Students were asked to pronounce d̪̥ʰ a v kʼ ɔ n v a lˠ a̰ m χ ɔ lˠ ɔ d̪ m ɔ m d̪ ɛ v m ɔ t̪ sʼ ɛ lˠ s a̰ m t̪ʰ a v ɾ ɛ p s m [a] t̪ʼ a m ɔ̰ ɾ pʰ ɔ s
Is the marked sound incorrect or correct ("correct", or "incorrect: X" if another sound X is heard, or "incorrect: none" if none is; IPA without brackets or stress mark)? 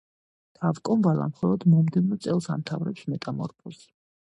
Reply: incorrect: ɛ